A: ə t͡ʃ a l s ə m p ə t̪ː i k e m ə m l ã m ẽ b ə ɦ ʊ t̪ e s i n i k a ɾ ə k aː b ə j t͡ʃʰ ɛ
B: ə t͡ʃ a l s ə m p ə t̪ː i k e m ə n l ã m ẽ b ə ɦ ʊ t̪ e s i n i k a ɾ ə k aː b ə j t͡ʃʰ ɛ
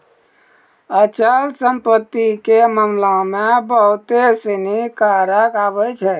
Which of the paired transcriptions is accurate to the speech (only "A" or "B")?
A